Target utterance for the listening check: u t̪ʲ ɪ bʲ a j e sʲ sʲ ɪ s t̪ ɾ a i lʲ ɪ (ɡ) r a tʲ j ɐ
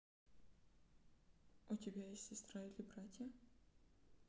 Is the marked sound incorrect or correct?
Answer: incorrect